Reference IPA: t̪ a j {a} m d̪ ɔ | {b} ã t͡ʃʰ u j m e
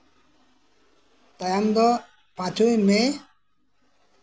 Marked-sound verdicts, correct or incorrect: correct, incorrect

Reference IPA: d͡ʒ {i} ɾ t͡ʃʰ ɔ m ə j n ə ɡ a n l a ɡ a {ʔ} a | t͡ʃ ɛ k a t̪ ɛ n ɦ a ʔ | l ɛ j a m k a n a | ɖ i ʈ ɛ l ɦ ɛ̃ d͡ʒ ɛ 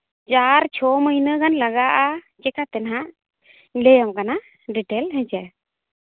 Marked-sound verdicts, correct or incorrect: incorrect, correct

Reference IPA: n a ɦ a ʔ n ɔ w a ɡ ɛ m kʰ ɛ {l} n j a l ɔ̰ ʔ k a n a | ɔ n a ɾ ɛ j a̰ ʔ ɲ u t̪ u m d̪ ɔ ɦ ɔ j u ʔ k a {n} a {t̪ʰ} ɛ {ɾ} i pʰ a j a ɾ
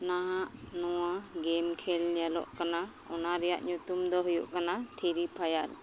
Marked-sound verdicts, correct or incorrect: correct, correct, correct, correct

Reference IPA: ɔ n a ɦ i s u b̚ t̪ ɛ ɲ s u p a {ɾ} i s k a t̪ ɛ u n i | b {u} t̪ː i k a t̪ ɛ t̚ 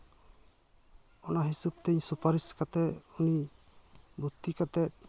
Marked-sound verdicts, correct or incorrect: correct, correct

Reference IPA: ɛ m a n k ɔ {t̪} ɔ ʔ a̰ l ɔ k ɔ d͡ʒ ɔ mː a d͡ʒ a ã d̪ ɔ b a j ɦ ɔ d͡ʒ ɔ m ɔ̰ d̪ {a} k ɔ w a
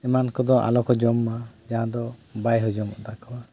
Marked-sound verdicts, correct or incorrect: incorrect, correct

